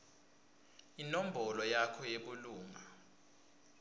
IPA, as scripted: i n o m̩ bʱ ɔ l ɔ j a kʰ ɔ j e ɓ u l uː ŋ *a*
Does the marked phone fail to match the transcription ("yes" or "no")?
no